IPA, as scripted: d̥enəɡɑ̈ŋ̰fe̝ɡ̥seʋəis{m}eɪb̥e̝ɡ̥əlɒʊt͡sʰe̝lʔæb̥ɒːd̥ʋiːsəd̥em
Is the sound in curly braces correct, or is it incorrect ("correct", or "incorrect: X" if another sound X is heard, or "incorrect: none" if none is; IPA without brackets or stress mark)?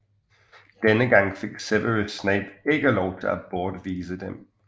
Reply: incorrect: n